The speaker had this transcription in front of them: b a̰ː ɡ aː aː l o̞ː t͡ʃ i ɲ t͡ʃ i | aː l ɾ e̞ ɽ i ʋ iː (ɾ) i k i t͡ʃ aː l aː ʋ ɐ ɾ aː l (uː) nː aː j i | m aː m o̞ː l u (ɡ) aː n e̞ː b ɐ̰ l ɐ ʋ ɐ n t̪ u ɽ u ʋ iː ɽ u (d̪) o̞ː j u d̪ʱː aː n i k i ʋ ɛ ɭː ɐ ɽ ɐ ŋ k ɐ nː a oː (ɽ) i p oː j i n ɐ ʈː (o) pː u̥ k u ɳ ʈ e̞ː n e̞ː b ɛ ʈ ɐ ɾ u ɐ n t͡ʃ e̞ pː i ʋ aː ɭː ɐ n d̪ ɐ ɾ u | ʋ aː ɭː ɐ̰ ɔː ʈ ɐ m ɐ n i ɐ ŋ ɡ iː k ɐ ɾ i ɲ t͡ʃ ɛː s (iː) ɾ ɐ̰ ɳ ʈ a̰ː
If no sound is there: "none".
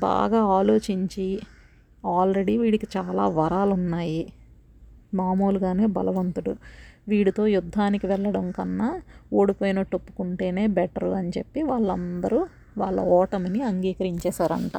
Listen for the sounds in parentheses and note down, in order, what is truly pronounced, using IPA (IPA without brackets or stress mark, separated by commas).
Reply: ɽ, u, ɡ, t̪, ɽ, o, aː